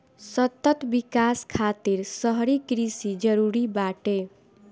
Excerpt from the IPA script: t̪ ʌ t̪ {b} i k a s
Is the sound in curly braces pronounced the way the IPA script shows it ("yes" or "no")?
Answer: yes